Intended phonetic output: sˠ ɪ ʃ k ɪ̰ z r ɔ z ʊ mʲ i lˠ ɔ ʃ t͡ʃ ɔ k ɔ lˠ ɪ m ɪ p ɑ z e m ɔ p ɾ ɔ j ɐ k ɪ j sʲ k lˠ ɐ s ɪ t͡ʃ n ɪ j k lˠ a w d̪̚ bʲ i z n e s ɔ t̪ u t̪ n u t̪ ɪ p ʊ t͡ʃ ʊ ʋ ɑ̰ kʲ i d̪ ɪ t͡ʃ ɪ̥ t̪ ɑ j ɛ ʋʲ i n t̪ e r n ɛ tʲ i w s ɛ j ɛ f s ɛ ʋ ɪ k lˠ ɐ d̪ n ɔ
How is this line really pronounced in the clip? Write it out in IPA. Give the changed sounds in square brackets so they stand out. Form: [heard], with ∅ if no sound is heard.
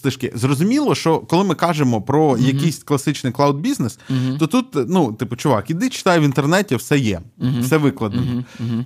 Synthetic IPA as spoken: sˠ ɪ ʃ k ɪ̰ z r ɔ z ʊ mʲ i lˠ ɔ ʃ t͡ʃ ɔ k ɔ lˠ ɪ m ɪ [k] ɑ [ʒ] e m ɔ p ɾ ɔ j ɐ k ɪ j sʲ k lˠ ɐ s ɪ t͡ʃ n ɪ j k lˠ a w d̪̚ bʲ i z n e s ɔ t̪ u t̪ n u t̪ ɪ p ʊ t͡ʃ ʊ ʋ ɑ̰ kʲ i d̪ ɪ t͡ʃ ɪ̥ t̪ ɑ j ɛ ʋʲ i n t̪ e r n ɛ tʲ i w s ɛ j ɛ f s ɛ ʋ ɪ k lˠ ɐ d̪ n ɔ